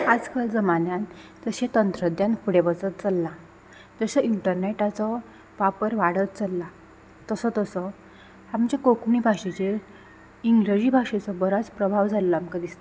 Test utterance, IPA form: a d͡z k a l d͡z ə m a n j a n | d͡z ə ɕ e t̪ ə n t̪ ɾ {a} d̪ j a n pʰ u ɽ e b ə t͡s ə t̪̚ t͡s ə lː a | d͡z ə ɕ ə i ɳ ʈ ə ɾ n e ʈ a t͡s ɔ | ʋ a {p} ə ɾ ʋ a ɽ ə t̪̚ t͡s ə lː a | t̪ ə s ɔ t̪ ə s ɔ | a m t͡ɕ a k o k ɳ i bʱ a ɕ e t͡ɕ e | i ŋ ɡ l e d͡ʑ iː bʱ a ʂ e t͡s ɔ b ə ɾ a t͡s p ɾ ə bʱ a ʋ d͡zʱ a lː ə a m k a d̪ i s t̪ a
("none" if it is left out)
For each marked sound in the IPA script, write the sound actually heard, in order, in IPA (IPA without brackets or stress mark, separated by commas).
ə, p